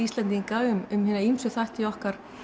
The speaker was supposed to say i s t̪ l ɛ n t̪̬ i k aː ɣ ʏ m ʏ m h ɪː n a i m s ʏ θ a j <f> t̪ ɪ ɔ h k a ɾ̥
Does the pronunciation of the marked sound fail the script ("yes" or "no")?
yes